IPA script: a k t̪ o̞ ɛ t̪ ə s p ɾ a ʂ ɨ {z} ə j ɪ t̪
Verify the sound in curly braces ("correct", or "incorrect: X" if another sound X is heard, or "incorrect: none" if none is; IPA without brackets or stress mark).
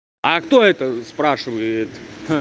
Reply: incorrect: v